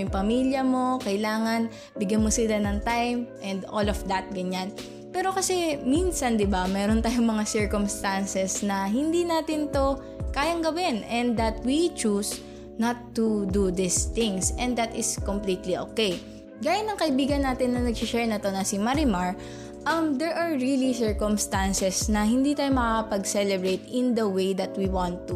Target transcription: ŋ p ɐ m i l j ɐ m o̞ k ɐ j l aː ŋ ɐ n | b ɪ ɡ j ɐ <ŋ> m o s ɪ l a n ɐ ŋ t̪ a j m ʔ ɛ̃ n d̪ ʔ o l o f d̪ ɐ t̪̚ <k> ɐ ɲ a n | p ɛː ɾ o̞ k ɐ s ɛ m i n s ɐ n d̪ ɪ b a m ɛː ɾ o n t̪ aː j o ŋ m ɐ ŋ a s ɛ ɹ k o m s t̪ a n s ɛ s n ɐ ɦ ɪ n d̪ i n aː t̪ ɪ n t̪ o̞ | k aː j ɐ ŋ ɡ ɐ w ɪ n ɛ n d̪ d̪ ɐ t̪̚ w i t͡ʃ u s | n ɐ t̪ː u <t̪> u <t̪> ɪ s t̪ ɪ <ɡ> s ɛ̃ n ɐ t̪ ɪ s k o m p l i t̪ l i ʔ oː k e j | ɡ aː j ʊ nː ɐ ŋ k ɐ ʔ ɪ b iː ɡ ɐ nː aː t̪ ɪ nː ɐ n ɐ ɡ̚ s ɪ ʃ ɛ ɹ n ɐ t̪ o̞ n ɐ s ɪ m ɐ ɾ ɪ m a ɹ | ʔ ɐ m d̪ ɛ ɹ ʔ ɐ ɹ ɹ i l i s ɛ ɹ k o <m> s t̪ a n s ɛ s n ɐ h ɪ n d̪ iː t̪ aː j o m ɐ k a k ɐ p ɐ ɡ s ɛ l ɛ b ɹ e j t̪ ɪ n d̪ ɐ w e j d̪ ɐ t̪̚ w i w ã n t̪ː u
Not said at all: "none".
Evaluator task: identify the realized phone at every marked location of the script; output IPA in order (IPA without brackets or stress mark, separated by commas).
n, ɡ, d̪, d̪, ŋ, m